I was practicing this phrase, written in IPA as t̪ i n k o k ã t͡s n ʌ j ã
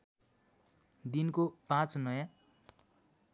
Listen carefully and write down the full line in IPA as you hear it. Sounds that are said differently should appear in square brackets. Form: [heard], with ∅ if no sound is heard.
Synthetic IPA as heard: [d̪] i n k o [p] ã t͡s n ʌ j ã

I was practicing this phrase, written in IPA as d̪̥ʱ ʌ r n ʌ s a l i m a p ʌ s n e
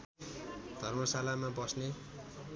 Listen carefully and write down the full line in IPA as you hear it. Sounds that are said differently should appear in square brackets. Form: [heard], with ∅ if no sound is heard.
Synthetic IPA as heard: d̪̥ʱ ʌ r [m] ʌ s a l [a] m a [b] ʌ s n e

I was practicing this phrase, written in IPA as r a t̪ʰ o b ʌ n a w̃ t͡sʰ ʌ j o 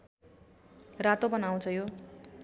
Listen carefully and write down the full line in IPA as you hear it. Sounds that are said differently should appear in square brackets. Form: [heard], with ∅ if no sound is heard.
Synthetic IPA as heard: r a [t̪] o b ʌ n a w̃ t͡sʰ ʌ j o

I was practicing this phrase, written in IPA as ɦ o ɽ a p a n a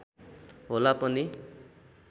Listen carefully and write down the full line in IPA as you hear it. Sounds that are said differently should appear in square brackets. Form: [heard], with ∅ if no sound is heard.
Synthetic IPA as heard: ɦ o [l] a p [ʌ] n [i]

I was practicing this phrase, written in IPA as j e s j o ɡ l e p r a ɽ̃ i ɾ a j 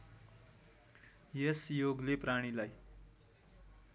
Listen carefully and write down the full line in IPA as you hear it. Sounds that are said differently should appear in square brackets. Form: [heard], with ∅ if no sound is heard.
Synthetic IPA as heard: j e s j o ɡ l e p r a ɽ̃ i [l] a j

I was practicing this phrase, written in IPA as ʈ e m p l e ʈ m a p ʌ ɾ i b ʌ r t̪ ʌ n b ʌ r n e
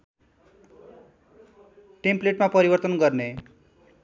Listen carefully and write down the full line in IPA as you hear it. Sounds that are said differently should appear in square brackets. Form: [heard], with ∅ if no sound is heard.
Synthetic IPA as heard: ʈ e m p l e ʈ m a p ʌ ɾ i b ʌ r t̪ ʌ n [ɡ] ʌ r n e

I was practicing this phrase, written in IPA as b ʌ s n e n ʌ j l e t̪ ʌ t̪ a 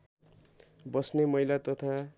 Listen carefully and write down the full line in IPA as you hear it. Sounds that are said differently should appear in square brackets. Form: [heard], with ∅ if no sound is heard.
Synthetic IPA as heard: b ʌ s n e [m] ʌ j l [a] t̪ ʌ [t̪ʰ] a

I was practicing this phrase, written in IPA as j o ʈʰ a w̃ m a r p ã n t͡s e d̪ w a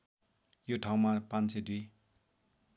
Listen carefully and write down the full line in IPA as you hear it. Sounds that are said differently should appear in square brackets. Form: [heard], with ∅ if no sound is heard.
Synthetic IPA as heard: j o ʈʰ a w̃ m a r p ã n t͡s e d̪ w [i]

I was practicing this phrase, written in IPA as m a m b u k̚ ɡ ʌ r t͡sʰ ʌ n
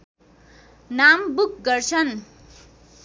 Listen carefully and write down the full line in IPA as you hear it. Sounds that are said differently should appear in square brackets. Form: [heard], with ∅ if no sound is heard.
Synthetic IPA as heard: [n] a m b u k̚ ɡ ʌ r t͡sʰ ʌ n

